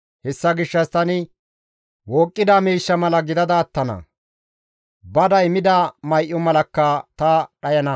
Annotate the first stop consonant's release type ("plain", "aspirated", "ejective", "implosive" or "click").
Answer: plain